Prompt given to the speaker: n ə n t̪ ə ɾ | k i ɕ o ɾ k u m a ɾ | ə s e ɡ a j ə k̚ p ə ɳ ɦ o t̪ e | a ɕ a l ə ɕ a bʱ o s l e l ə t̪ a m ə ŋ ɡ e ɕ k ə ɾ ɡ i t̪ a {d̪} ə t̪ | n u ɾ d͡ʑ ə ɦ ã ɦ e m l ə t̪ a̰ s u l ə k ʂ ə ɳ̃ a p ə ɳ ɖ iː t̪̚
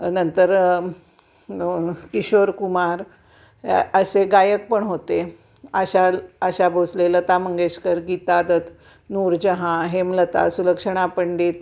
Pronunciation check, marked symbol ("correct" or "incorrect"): correct